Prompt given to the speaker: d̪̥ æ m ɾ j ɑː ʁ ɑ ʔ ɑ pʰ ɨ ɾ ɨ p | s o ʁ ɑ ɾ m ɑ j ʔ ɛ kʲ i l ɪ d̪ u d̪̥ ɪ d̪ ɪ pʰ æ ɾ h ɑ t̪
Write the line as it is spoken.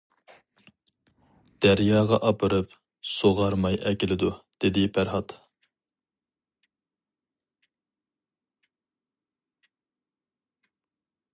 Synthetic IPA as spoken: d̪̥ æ ɾ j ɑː ʁ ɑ ʔ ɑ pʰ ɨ ɾ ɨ p | s o ʁ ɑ ɾ m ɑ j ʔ ɛ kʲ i l ɪ d̪ u d̪̥ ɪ d̪ ɪ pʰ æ ɾ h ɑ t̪

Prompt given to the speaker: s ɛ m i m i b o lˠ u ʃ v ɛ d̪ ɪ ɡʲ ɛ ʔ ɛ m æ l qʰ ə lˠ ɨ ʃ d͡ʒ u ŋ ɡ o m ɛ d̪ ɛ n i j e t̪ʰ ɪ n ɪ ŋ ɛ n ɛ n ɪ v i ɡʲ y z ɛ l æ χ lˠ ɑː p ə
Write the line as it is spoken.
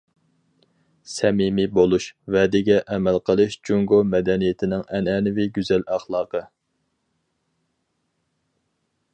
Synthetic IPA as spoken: s ɛ m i m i b o lˠ u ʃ v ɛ d̪ ɪ ɡʲ ɛ ʔ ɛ m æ l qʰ ə lˠ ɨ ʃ d͡ʒ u ŋ ɡ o m ɛ d̪ ɛ n i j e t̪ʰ ɪ n ɪ ŋ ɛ n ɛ n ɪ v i ɡʲ y z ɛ l æ χ lˠ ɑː q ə

